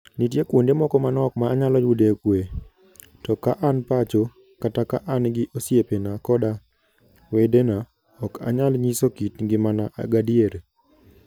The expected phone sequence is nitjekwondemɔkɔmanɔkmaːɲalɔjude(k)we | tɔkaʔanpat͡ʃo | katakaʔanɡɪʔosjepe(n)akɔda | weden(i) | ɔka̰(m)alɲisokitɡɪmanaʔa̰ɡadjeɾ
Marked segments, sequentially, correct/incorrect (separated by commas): correct, correct, incorrect, incorrect